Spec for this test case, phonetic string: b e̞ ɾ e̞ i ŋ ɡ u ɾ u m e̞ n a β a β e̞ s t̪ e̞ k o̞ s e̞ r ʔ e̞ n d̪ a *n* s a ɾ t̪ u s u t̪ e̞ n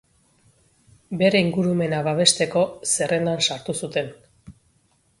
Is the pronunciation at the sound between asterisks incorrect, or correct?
correct